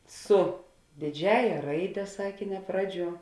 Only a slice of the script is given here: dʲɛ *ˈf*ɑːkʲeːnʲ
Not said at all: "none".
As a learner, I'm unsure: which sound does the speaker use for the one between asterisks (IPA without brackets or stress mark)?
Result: s